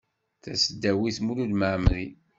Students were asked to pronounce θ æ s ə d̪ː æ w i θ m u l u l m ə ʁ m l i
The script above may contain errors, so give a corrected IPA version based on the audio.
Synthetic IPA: θ æ s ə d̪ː æ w i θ m u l u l m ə ʕ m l i